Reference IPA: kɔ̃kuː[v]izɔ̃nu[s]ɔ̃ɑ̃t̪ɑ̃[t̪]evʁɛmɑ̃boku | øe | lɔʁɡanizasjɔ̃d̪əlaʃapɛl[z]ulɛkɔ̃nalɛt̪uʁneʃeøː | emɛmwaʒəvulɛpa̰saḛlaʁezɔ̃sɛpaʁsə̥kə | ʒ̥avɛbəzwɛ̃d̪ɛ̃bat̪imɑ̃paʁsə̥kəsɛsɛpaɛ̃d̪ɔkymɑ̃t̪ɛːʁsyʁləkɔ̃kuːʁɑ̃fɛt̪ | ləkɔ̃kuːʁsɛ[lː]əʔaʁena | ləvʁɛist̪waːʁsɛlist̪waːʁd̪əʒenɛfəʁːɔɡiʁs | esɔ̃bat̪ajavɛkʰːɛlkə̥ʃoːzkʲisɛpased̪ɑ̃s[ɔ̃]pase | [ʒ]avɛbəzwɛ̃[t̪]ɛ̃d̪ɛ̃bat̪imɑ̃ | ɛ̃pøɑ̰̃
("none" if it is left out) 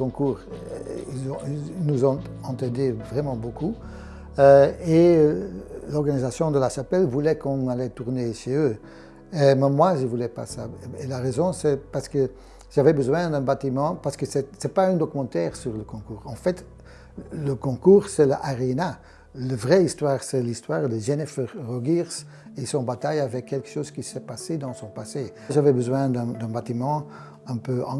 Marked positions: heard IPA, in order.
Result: ʁ, z, d̪, v, l, ɔ̃, ʒ, d̪

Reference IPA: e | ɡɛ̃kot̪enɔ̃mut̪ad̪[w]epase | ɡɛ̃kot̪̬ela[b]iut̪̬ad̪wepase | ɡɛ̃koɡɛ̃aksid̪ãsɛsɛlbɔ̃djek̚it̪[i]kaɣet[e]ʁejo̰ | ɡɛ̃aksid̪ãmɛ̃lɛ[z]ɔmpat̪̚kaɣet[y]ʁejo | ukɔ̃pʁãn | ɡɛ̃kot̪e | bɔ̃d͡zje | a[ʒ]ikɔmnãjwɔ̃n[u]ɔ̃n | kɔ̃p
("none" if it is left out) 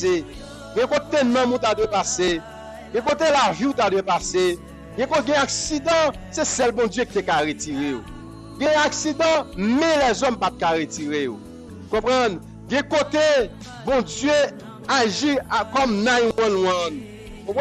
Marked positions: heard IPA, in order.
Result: w, v, e, i, z, i, ʒ, w

